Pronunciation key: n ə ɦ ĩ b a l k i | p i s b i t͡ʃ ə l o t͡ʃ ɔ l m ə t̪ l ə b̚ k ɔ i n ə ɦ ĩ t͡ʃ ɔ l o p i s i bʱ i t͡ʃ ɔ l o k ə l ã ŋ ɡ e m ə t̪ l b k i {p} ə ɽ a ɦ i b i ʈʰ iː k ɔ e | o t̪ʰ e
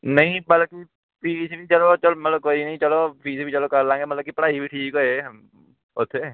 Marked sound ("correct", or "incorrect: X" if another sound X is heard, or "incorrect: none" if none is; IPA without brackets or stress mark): correct